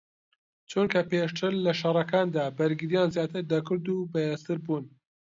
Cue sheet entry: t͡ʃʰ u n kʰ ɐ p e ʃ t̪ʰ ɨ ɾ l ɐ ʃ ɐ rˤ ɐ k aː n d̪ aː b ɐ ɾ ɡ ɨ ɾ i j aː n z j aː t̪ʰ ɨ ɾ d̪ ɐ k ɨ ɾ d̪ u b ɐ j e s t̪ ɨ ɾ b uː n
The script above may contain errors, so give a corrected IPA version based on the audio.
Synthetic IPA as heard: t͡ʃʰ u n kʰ ɐ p e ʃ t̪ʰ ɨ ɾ l ɐ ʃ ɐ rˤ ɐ k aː n d̪ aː b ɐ ɾ ɡ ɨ ɾ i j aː n z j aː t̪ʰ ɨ ɾ d̪ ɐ k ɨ ɾ d̪ u b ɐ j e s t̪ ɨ ɾ b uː n